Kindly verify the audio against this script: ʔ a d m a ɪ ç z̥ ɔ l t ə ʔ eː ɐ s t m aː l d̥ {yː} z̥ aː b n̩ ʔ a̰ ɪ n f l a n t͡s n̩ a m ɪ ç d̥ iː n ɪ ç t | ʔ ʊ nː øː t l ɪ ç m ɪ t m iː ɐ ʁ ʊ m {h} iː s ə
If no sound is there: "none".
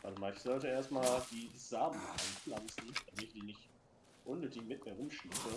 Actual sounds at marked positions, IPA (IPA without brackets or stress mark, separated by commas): iː, ʃ